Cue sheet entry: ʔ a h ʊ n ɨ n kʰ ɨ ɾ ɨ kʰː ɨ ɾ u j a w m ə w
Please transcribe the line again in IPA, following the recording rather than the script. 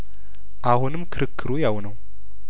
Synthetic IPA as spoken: ʔ a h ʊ n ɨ m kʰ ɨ ɾ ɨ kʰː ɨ ɾ u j a w n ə w

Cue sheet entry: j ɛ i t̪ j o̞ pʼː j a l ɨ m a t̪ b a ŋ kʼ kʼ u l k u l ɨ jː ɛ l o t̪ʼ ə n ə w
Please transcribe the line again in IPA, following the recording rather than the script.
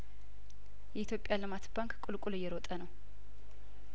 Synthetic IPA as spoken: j ɛ i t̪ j o̞ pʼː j a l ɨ m a t̪ b a ŋ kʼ kʼ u l kʼ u l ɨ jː ɛ ɾ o t̪ʼ ə n ə w

